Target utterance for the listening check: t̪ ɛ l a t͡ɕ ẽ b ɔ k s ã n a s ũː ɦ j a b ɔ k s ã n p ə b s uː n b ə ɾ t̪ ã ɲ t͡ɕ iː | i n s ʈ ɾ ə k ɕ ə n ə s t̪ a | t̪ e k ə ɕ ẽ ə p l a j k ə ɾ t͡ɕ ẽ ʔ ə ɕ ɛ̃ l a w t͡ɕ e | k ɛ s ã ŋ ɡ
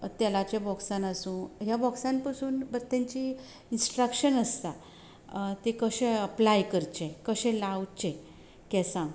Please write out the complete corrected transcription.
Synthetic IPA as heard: t̪ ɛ l a t͡ɕ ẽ b ɔ k s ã n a s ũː ɦ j a b ɔ k s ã n p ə s uː n b ə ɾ t̪ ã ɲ t͡ɕ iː | i n s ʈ ɾ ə k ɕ ə n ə s t̪ a | t̪ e k ə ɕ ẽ ə p l a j k ə ɾ t͡ɕ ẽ k ə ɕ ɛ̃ l a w t͡ɕ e | k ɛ s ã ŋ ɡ